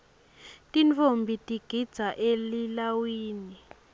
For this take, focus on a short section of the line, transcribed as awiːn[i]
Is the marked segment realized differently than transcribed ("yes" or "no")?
no